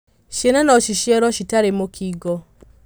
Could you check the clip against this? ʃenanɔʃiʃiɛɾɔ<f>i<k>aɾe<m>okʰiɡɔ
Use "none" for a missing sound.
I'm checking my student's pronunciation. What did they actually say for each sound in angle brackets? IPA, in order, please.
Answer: ʃ, t, m

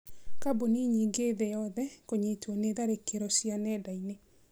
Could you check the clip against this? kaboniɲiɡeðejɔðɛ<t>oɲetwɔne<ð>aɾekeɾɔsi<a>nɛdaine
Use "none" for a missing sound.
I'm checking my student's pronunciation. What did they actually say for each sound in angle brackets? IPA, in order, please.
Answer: k, ð, a

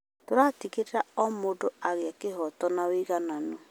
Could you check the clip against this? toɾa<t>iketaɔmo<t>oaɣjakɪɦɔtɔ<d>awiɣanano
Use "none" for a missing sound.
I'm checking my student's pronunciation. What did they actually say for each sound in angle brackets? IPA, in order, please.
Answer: t, d, n

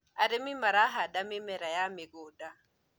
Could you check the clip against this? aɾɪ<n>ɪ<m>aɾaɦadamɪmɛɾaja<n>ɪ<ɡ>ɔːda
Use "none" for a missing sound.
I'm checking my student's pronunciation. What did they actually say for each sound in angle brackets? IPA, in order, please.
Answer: m, m, m, ɡ

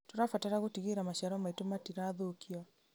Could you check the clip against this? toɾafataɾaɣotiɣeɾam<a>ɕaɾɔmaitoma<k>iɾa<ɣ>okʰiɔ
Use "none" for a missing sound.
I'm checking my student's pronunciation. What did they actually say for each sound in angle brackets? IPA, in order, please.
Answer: a, t, ð

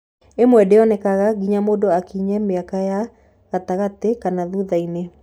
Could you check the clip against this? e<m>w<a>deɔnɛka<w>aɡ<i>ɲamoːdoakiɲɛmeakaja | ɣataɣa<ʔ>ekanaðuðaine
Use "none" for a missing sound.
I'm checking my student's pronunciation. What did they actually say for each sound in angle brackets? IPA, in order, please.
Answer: m, ɛ, ɣ, i, t

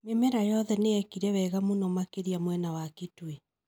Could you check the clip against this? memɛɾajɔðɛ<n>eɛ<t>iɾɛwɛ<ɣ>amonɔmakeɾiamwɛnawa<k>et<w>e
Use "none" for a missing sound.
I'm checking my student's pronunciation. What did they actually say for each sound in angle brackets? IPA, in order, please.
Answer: n, k, ɣ, k, w

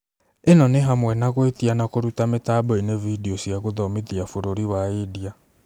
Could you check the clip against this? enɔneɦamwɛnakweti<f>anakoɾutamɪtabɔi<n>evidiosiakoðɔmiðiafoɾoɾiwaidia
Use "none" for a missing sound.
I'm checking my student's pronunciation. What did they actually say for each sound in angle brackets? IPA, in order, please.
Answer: none, n

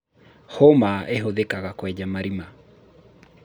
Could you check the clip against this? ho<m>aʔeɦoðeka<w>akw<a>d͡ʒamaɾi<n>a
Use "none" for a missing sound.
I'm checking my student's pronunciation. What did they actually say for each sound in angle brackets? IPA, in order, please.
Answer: m, ɣ, ɛ, m

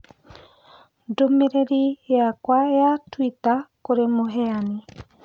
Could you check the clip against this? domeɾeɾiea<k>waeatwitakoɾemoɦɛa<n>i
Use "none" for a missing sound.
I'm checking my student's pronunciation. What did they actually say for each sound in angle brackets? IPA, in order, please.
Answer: k, n

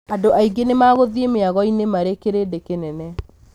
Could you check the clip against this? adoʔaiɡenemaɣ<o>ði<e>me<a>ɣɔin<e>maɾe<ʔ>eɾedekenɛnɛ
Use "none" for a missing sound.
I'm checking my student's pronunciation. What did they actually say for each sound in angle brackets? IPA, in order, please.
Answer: o, e, a, e, k

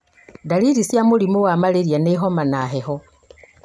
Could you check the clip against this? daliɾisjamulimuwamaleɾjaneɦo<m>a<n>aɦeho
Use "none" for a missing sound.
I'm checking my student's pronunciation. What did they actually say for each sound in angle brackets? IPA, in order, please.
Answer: m, n

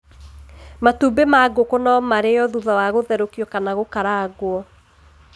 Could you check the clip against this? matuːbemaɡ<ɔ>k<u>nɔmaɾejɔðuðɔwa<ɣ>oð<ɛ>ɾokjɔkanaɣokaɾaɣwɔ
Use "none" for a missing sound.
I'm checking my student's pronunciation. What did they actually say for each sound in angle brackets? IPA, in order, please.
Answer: o, o, ɣ, ɛ

